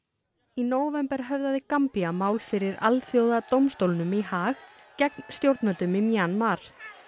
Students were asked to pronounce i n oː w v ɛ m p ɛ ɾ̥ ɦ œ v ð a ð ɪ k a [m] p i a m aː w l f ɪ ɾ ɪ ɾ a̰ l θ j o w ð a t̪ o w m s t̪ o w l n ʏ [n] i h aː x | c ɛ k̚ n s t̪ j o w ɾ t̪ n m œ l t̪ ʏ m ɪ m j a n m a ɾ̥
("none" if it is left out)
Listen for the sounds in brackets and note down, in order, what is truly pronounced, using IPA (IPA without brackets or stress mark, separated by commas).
m, m